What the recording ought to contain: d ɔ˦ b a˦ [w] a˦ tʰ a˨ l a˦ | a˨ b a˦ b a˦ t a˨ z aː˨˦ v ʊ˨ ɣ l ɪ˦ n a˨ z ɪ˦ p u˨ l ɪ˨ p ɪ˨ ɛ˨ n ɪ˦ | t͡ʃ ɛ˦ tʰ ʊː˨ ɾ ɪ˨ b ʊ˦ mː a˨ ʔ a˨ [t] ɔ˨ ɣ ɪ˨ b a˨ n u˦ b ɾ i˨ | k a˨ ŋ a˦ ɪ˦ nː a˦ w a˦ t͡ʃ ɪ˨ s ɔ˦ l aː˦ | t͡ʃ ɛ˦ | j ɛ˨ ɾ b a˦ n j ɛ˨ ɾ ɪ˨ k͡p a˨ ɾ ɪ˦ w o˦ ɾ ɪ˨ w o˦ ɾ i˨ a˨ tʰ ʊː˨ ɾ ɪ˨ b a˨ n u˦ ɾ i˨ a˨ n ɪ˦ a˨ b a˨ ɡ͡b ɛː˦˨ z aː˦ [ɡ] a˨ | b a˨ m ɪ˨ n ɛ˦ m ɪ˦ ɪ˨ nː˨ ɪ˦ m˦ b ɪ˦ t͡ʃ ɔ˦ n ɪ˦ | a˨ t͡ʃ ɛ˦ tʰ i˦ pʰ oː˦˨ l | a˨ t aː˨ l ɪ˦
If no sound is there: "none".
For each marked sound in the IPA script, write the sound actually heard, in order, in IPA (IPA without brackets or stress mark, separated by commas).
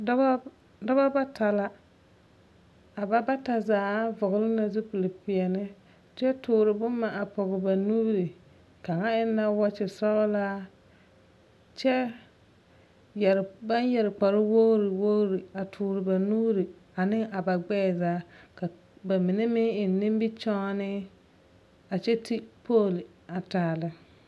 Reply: b, p, k